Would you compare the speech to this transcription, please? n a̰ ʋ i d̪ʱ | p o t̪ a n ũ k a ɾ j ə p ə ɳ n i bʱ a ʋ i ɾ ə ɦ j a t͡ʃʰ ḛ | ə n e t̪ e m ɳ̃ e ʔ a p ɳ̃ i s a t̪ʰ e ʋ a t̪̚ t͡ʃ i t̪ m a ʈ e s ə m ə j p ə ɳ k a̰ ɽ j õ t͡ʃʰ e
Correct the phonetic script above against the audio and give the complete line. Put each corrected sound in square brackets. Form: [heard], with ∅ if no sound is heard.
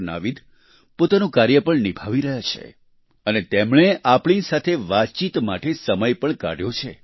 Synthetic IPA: n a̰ ʋ i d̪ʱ | p o t̪ a n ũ k a ɾ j ə p ə ɳ n i bʱ a ʋ i ɾ ə ɦ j a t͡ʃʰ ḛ | ə n e t̪ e m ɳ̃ e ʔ a p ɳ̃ i s a t̪ʰ e ʋ a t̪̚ t͡ʃ i t̪ m a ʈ e s ə m ə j p ə ɳ k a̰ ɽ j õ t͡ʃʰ e